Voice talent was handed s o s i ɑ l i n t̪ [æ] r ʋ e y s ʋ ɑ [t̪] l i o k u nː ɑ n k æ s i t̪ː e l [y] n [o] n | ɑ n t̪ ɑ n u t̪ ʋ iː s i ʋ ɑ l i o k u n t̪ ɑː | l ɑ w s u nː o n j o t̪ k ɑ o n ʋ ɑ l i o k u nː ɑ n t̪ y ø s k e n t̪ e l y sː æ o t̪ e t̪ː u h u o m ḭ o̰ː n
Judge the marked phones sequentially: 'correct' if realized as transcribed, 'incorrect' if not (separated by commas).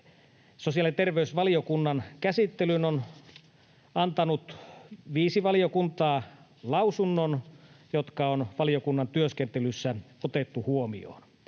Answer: incorrect, incorrect, correct, correct